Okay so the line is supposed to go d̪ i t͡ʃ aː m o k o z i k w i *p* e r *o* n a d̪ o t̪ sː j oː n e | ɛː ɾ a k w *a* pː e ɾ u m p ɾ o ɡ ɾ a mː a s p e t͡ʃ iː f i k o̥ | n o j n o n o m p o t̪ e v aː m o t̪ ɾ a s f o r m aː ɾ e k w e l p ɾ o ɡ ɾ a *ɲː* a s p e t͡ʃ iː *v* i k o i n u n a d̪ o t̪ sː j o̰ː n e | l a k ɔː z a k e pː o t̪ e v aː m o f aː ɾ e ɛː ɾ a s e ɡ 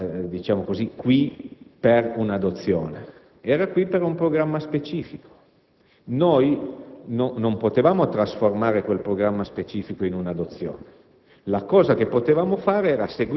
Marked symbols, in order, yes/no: yes, no, no, no, no

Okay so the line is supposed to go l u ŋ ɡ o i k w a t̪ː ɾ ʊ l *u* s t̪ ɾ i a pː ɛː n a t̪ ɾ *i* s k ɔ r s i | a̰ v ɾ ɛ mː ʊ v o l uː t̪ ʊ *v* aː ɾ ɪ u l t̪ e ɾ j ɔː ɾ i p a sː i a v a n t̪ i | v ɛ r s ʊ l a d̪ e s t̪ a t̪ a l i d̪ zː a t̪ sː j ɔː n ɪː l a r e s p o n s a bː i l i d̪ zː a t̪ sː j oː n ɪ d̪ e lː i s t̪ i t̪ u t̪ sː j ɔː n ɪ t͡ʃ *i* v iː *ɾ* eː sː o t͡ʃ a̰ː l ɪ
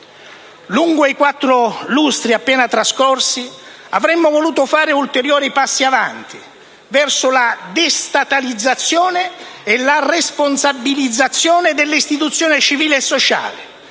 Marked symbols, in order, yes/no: yes, no, no, yes, no

